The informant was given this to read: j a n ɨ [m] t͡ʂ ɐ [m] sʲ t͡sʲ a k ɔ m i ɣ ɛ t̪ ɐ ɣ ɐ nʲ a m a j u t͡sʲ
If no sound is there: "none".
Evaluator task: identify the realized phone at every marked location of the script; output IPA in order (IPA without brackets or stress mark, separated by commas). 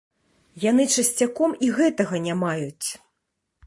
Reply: none, none